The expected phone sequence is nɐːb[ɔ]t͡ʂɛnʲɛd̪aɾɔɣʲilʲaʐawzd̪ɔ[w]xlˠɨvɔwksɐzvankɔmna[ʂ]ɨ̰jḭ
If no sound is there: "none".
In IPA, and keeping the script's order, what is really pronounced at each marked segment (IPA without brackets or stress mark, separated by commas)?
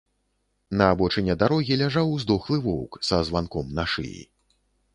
ɔ, none, ʂ